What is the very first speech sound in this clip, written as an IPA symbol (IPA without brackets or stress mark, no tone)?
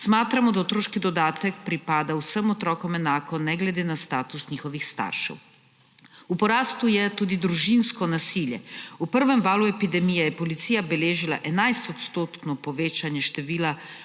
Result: s